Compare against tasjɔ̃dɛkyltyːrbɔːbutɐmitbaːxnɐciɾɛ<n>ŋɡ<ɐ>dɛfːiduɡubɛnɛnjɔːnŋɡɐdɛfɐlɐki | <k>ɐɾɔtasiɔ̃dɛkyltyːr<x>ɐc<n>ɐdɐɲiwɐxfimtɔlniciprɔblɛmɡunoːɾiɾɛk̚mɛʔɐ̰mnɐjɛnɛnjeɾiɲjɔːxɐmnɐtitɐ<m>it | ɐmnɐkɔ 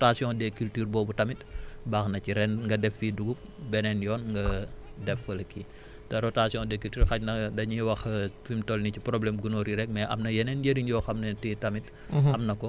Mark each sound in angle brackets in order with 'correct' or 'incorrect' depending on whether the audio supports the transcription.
correct, correct, incorrect, correct, correct, correct

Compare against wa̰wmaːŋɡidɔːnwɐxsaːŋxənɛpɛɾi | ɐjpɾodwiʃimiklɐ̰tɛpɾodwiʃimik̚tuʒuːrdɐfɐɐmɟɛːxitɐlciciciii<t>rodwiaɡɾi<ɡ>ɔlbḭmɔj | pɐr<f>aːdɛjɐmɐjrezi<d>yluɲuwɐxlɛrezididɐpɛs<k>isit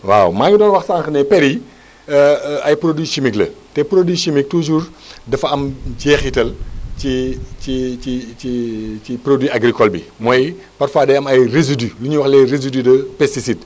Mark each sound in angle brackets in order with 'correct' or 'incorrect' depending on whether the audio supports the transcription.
incorrect, incorrect, correct, correct, incorrect

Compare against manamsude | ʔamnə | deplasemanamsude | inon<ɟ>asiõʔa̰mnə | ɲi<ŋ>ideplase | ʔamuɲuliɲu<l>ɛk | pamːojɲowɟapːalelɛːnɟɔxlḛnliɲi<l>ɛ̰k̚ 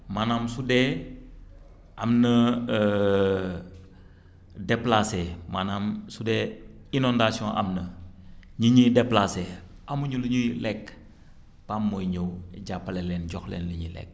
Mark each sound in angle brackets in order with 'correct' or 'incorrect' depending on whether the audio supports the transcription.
incorrect, incorrect, correct, correct

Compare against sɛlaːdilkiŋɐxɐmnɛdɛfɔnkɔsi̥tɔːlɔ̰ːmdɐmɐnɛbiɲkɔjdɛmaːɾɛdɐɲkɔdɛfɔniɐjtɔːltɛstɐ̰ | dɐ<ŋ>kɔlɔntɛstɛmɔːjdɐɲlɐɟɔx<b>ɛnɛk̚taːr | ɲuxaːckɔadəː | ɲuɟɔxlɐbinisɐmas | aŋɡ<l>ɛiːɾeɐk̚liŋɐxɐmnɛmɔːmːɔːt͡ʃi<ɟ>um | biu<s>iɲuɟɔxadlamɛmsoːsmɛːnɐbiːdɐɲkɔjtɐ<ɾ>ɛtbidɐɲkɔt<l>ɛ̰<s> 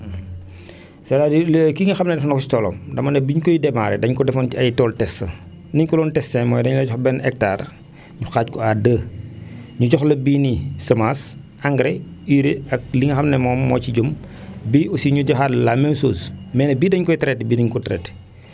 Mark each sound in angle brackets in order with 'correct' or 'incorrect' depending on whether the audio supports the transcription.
incorrect, correct, incorrect, correct, correct, correct, incorrect, incorrect

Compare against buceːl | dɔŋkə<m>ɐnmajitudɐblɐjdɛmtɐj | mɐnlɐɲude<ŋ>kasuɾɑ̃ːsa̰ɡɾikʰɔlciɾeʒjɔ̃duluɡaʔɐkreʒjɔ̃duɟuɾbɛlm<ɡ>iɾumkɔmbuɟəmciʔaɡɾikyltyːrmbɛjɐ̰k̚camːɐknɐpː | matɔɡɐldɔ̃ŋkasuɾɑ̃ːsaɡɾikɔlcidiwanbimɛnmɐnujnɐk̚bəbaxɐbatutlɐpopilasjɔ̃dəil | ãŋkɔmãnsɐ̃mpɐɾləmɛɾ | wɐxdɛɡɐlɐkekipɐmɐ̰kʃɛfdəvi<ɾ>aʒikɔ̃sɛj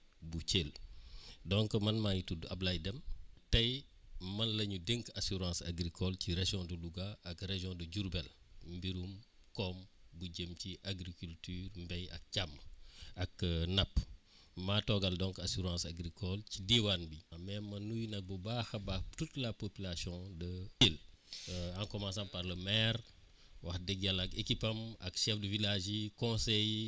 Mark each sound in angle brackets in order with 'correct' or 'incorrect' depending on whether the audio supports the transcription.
correct, correct, incorrect, incorrect

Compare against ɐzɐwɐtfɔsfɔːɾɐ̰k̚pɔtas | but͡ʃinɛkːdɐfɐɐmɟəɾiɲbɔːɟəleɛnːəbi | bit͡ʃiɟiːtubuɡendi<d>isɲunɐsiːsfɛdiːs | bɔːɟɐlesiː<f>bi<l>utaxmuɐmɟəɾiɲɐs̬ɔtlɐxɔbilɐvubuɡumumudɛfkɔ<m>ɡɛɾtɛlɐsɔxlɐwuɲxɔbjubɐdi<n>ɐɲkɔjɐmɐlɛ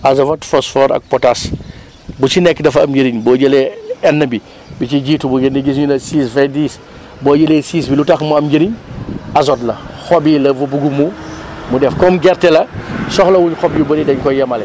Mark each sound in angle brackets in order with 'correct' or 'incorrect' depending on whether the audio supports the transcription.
incorrect, incorrect, correct, correct, incorrect

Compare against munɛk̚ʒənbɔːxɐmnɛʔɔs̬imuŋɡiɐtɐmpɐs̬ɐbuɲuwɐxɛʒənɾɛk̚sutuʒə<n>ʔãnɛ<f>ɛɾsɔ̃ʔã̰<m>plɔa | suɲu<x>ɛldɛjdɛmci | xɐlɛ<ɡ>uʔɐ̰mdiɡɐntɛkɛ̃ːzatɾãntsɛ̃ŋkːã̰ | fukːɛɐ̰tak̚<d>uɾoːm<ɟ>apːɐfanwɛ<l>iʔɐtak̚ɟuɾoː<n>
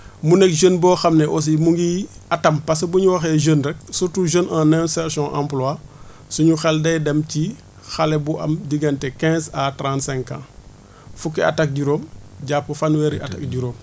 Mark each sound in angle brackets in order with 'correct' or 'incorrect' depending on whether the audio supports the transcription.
correct, incorrect, correct, correct, incorrect, incorrect, correct, incorrect, incorrect

